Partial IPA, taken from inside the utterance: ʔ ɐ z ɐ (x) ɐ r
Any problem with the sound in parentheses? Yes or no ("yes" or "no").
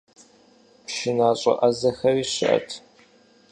no